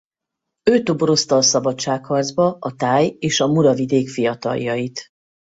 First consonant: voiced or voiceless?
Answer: voiceless